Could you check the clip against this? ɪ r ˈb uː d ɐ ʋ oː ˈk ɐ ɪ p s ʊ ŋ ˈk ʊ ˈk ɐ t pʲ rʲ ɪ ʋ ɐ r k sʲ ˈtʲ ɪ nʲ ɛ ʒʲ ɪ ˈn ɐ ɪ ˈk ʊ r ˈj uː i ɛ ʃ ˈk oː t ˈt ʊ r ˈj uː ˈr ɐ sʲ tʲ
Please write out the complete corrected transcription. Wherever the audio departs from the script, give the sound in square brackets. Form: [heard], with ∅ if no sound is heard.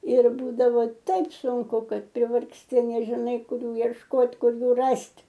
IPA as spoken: ɪ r ˈb uː d ɐ ʋ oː [ˈt] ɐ ɪ p s ʊ ŋ ˈk ʊ ˈk ɐ t pʲ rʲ ɪ ʋ ɐ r k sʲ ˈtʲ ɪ nʲ ɛ ʒʲ ɪ ˈn ɐ ɪ ˈk ʊ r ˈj uː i ɛ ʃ ˈk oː t [ˈk] ʊ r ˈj uː ˈr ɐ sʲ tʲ